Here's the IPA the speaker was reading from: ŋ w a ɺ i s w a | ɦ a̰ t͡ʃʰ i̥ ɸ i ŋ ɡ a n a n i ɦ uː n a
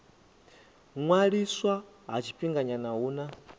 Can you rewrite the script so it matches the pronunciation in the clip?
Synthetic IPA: ŋ w a ɺ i s w a | ɦ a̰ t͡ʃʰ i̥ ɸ i ŋ ɡ a ɲ a n a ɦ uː n a